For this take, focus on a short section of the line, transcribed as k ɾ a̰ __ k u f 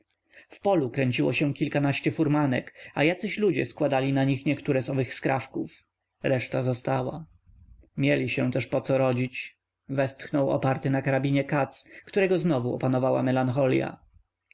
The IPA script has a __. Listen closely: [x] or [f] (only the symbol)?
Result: f